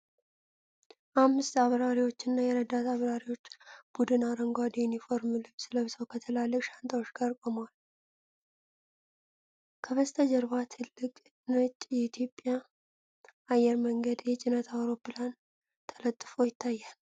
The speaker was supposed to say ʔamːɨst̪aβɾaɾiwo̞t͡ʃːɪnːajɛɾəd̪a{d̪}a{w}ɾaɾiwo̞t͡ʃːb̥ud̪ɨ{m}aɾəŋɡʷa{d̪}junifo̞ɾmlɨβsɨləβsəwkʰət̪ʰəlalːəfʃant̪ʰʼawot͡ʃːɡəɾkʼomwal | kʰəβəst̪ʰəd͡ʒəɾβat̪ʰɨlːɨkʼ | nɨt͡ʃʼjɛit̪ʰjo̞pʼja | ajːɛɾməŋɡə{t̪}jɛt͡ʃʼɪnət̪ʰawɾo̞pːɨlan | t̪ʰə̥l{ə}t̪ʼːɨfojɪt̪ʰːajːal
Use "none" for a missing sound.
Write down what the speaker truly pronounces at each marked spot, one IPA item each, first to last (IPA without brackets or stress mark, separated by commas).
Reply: t̪, β, n, d̪, d̪, ə